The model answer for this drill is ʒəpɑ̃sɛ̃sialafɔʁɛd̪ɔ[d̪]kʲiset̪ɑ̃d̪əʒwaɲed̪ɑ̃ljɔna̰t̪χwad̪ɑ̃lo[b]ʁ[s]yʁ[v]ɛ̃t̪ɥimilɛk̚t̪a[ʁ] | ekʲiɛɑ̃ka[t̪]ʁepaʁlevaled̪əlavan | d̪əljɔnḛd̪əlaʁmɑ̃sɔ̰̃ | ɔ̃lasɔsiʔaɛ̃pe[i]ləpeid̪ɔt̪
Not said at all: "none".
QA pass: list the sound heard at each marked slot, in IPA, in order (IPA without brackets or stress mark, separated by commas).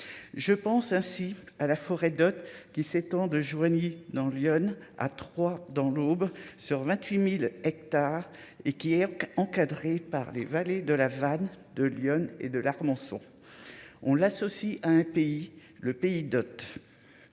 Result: t̪, b, s, v, ʁ, d̪, i